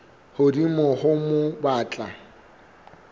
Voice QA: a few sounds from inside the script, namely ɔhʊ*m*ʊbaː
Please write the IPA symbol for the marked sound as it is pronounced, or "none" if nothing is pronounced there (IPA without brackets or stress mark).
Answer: m